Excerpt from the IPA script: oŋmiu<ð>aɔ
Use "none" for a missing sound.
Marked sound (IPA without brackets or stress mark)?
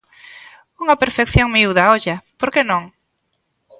ð